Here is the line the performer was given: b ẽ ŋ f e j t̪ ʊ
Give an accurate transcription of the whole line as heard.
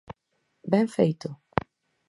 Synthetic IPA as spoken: b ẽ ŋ f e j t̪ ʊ